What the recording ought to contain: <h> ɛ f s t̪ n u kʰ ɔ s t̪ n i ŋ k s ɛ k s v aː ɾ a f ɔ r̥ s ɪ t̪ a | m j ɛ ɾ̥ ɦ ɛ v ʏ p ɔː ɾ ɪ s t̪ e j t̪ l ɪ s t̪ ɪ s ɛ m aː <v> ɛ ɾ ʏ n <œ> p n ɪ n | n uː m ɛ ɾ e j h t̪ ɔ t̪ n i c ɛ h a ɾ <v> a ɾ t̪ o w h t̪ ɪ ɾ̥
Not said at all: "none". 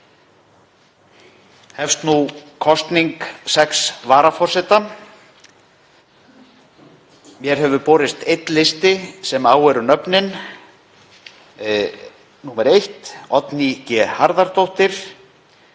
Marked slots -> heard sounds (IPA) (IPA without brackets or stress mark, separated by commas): h, w, œ, ð